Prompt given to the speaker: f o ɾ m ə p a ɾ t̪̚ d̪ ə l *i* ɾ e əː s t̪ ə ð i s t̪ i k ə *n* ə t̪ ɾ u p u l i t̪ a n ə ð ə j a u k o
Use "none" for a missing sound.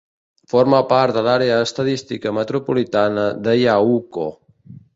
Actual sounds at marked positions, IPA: a, m

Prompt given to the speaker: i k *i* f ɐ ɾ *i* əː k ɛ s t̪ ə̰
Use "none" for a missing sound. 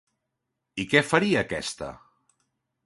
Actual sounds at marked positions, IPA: ɛ, i

